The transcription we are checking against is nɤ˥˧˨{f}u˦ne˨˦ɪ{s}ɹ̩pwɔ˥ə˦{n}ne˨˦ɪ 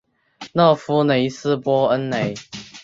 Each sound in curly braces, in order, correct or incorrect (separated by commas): correct, correct, correct